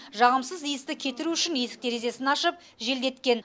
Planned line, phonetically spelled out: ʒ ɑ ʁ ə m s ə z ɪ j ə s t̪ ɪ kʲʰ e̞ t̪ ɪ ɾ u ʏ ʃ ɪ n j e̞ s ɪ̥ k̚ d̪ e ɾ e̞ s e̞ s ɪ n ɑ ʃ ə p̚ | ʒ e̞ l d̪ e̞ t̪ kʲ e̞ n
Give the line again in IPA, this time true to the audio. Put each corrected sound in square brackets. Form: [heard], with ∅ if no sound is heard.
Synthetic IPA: ʒ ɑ ʁ ə m s ə z [i] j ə s t̪ ɪ kʲʰ e̞ t̪ ɪ ɾ u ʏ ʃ ɪ n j e̞ s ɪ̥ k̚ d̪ e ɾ e̞ [z] e̞ s ɪ n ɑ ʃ ə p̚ | ʒ e̞ l d̪ e̞ t̪ kʲ e̞ n

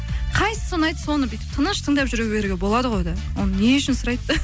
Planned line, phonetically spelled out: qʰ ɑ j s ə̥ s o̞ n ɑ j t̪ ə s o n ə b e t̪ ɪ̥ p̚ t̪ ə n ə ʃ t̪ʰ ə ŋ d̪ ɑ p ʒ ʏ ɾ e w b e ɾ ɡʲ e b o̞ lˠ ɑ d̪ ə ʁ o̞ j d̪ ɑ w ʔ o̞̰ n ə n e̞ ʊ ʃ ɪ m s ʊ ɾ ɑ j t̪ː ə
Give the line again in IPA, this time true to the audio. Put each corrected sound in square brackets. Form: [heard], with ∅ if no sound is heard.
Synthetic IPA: qʰ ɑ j s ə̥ s o̞ n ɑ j t̪ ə s o n ə b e t̪ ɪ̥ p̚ [t̪ʰ] ə n ə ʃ t̪ʰ ə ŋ d̪ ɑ p ʒ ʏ ɾ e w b e ɾ ɡʲ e b o̞ lˠ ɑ d̪ ə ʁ o̞ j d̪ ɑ w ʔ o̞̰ n ə n e̞ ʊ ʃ ɪ [n] s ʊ ɾ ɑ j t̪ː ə

